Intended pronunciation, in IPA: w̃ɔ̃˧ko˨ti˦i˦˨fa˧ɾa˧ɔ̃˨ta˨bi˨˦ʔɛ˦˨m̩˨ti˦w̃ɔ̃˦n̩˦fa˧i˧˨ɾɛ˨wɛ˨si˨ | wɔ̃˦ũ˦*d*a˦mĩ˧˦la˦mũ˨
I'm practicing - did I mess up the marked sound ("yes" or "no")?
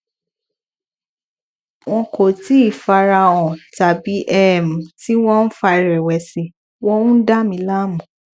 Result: no